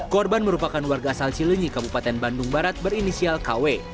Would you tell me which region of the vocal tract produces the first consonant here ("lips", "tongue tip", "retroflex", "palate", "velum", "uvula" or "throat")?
velum